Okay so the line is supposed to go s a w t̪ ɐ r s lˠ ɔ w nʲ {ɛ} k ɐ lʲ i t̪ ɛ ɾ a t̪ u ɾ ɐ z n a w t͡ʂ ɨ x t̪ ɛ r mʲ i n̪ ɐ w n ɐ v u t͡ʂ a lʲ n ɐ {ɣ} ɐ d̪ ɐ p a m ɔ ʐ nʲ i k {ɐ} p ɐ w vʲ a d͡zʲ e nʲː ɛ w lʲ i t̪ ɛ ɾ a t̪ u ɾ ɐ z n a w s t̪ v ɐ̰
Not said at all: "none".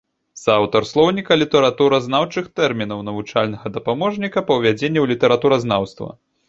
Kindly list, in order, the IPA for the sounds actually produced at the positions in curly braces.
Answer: i, ɣ, ɐ

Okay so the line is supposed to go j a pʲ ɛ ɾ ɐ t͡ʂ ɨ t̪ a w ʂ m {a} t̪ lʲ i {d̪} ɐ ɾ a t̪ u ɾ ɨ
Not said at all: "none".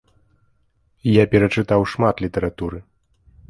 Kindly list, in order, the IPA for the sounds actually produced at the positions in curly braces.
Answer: a, t̪

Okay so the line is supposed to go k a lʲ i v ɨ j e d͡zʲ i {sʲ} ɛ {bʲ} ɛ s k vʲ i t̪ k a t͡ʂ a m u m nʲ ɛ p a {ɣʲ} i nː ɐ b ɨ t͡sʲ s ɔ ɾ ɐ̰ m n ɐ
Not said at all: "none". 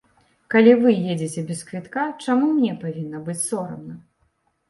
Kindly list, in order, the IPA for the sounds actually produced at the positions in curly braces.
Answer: t͡sʲ, bʲ, vʲ

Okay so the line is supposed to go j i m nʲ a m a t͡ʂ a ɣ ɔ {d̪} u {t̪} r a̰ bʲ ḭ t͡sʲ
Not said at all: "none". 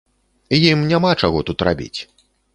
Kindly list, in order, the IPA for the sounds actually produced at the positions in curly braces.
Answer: t̪, t̪

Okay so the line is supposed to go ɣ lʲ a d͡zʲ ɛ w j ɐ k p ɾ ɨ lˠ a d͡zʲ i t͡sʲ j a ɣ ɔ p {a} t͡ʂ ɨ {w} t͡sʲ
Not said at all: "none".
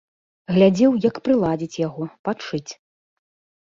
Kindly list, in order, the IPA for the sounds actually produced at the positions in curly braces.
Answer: a, none

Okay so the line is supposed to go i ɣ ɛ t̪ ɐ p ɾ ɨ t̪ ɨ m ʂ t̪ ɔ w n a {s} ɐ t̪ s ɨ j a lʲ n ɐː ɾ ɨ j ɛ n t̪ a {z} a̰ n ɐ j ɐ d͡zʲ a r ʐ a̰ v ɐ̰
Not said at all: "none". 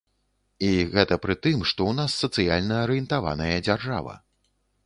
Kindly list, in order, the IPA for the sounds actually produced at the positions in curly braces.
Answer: sː, v

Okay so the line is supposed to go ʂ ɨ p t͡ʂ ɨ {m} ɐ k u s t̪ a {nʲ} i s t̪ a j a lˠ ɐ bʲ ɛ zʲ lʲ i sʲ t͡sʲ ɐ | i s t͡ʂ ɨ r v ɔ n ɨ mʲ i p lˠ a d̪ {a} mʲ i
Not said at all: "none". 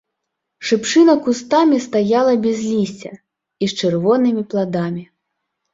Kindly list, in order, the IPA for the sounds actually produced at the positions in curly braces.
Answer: n, mʲ, a

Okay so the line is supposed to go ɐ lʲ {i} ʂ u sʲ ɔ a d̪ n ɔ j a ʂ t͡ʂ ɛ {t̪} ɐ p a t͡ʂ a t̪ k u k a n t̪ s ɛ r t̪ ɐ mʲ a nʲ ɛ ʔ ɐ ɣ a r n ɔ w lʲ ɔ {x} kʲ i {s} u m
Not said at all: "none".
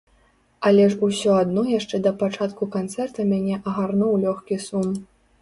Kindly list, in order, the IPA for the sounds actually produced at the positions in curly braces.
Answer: ɛ, d̪, x, s

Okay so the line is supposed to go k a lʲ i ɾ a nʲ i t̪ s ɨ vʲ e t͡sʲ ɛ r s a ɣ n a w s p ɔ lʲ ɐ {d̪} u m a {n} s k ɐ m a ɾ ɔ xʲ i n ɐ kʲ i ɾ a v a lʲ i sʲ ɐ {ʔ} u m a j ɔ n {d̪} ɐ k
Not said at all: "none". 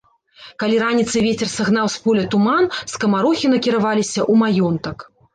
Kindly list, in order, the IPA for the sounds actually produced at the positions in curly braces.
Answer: t̪, n, ʔ, t̪

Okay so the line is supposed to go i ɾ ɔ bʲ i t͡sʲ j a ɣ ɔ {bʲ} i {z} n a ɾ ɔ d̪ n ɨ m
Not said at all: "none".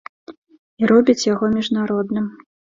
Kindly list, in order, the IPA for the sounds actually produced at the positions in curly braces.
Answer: mʲ, ʐ

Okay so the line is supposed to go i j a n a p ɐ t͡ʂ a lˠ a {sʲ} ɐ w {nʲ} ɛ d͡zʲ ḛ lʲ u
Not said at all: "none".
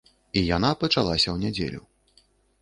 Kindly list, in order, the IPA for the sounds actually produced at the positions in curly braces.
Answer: sʲ, nʲ

